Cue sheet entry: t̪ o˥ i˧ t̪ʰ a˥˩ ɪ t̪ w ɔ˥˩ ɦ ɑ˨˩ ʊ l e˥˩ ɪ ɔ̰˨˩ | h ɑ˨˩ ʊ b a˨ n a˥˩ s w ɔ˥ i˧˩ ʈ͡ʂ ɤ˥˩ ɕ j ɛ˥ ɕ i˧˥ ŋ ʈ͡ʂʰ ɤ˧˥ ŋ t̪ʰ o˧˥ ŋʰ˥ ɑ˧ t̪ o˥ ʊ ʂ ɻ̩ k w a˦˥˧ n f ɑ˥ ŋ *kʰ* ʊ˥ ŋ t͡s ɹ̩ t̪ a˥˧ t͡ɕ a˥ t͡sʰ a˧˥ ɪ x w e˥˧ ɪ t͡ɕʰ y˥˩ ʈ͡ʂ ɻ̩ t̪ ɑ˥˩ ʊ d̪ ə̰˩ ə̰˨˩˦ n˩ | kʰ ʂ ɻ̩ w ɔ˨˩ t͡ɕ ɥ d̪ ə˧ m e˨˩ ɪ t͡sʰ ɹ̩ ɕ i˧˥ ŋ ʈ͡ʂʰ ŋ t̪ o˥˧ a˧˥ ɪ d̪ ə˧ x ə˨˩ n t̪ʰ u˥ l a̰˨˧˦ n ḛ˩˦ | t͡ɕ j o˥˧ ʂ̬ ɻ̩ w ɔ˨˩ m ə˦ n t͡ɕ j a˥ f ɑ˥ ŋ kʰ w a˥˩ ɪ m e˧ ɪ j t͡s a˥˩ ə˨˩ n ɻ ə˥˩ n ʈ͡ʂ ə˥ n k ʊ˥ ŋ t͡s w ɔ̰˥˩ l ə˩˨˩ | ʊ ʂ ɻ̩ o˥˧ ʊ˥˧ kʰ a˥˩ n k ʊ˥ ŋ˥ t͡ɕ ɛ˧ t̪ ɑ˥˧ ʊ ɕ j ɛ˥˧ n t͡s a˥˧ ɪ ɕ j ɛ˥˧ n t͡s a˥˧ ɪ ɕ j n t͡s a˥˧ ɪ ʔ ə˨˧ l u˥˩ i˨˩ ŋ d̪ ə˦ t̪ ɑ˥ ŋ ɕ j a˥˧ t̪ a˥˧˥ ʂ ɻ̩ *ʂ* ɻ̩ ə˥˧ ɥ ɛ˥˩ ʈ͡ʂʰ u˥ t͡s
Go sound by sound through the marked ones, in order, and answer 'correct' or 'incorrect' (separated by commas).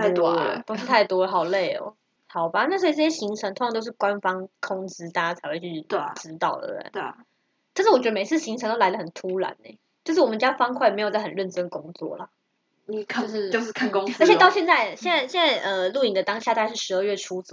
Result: correct, correct